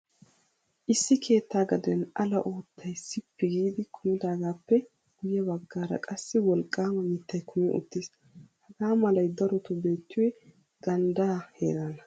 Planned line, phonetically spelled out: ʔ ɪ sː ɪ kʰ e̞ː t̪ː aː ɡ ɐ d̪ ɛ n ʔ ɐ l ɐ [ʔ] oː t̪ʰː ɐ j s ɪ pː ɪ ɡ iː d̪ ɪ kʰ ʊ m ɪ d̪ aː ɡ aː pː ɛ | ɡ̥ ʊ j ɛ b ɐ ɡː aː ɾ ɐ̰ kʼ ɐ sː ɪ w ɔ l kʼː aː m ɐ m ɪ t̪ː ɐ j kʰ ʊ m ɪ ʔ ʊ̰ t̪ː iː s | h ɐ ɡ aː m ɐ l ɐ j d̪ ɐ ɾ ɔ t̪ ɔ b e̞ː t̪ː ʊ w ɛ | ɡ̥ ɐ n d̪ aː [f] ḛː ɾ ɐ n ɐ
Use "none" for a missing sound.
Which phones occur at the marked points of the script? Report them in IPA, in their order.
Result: ʔ, h

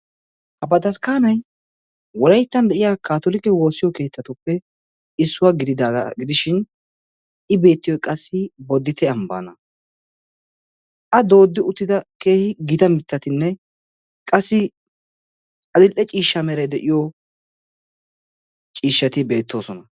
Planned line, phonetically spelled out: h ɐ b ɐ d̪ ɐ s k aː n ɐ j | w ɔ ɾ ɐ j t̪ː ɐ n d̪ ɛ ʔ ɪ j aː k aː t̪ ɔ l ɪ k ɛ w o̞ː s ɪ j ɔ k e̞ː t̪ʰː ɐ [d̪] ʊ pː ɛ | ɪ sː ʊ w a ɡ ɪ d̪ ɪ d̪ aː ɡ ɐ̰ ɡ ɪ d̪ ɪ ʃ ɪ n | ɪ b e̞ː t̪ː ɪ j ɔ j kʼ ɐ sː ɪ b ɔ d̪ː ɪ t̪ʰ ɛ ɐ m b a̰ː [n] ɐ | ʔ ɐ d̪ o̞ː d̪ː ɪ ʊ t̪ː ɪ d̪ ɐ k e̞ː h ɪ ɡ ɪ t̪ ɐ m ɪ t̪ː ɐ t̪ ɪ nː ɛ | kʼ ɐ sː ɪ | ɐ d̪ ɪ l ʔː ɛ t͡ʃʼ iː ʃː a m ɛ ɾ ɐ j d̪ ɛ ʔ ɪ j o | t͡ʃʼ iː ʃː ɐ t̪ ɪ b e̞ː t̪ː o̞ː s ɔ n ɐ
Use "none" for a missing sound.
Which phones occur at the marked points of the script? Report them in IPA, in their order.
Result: t̪, n

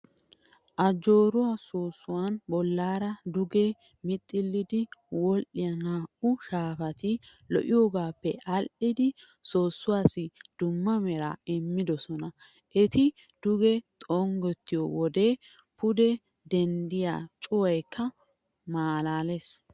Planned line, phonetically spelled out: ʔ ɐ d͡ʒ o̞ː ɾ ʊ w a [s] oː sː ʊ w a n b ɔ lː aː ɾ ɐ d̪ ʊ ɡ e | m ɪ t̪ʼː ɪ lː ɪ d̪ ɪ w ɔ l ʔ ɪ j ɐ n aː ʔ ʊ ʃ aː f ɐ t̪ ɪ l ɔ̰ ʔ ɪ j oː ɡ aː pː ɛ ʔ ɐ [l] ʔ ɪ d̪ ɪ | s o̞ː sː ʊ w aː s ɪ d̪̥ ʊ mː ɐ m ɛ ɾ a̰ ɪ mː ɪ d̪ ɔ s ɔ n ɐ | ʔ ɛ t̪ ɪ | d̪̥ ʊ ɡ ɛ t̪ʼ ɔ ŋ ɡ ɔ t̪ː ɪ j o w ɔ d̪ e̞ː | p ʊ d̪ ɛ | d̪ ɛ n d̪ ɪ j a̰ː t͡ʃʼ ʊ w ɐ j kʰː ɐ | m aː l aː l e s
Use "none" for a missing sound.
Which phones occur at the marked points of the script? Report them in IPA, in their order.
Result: s, l

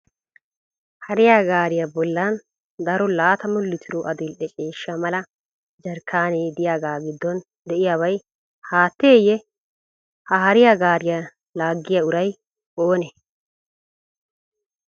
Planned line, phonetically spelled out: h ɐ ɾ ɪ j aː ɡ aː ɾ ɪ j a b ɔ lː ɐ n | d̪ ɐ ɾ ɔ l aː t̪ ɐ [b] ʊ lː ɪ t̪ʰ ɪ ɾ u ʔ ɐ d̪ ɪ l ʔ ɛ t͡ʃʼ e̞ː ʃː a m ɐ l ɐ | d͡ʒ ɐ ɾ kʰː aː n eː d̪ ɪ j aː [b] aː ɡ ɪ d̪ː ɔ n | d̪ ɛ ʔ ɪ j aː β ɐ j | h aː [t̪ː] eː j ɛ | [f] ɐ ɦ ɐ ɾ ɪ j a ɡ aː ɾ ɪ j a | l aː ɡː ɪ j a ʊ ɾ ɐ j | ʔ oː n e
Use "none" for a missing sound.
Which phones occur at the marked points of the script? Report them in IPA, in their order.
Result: m, ɡ, t̪ː, h

